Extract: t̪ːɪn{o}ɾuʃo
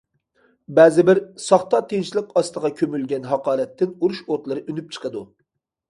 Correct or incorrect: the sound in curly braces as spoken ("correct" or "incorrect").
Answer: incorrect